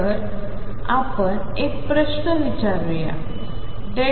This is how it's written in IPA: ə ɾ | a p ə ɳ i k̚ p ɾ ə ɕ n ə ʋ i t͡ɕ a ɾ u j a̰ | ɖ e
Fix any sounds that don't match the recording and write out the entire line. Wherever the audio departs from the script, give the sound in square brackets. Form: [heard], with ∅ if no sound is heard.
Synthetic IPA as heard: ə ɾ | a p ə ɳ [e] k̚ p ɾ ə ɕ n ə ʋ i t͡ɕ a ɾ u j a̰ | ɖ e